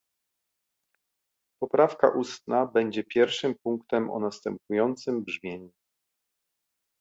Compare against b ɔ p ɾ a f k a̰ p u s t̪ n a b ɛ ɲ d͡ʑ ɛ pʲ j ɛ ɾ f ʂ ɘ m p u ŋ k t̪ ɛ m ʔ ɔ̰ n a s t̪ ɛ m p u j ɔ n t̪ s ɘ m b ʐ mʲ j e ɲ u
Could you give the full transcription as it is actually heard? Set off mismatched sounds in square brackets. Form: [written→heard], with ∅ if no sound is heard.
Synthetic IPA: [b→p] ɔ p ɾ a f k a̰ [p→ʔ] u s t̪ n a b ɛ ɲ d͡ʑ ɛ pʲ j ɛ ɾ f ʂ ɘ m p u ŋ k t̪ ɛ m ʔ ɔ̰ n a s t̪ ɛ m p u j ɔ n t̪ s ɘ m b ʐ mʲ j e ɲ u